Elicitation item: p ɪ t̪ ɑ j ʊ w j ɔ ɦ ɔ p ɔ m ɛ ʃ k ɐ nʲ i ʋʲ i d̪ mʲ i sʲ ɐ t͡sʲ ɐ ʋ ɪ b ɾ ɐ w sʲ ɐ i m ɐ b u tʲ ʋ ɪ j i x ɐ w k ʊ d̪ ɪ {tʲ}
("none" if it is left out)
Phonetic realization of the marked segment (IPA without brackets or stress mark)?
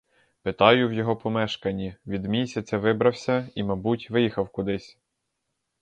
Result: sʲ